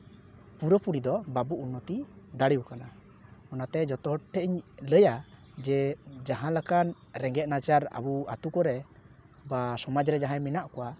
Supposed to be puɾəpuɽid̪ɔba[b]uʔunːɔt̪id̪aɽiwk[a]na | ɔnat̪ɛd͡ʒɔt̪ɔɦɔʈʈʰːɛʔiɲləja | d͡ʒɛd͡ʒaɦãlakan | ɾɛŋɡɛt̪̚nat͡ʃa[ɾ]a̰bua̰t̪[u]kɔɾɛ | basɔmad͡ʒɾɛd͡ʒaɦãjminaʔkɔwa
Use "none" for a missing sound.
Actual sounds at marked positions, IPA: b, a, ɾ, u

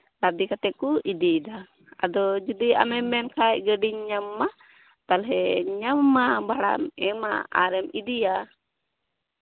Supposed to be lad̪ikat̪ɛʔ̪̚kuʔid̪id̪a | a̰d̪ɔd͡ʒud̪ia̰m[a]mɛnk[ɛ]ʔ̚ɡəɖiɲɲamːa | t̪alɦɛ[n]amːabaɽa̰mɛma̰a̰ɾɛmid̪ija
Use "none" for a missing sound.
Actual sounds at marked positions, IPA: ɛ, a, ɲ

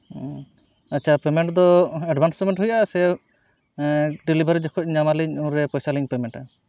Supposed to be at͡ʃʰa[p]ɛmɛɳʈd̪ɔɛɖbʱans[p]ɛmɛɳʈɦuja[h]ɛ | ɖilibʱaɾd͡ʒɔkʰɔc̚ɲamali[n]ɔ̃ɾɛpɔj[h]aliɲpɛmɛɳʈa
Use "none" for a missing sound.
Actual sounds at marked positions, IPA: p, p, s, ɲ, s

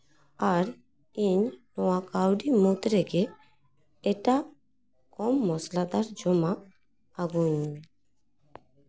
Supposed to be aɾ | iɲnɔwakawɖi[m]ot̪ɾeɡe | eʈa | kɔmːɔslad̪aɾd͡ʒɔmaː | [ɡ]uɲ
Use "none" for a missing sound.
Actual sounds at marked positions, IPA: m, ɡ

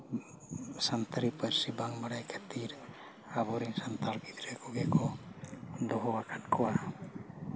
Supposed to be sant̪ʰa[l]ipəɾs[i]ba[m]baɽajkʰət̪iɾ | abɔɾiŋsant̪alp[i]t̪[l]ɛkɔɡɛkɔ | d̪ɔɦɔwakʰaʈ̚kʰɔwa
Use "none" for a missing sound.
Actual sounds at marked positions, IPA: ɾ, i, ŋ, i, ɾ

